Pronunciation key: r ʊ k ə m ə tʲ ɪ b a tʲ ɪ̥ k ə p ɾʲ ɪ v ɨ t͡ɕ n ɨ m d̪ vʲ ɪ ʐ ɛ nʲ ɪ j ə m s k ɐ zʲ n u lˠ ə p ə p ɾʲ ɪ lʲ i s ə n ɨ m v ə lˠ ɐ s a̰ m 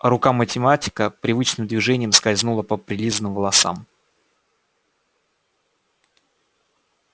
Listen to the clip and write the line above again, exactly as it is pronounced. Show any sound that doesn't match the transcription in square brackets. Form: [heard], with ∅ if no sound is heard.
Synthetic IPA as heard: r ʊ k [a] m ə tʲ ɪ [m] a tʲ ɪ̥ k ə p ɾʲ ɪ v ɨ t͡ɕ n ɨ m d̪ vʲ ɪ ʐ ɛ nʲ ɪ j ə m s k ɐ zʲ n u lˠ ə p ə p ɾʲ ɪ lʲ i [z] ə n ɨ m v ə lˠ ɐ s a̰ m